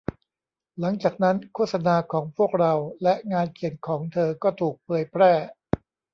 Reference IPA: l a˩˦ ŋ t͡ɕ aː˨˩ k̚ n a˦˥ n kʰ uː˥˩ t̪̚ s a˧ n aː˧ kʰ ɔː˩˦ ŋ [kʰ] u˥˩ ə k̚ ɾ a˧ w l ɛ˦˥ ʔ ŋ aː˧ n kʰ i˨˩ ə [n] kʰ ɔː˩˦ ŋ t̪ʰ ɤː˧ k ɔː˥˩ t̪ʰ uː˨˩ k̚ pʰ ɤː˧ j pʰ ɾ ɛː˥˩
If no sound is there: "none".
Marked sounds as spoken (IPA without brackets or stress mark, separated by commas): pʰ, n